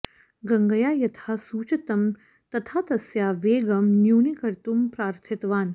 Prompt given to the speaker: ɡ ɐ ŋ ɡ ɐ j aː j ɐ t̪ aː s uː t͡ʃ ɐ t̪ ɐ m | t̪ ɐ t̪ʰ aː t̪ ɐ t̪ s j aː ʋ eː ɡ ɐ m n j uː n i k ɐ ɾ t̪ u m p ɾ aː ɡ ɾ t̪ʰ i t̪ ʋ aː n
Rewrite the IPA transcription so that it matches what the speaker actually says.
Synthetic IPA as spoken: ɡ ɐ ŋ ɡ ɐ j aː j ɐ t̪ʰ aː s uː t͡ʃ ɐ t̪ ɐ m | t̪ ɐ t̪ʰ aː t̪ ɐ s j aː ʋ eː ɡ ɐ m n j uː n i k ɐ ɾ t̪ u m p ɾ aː ɾ t̪ʰ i t̪ ʋ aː n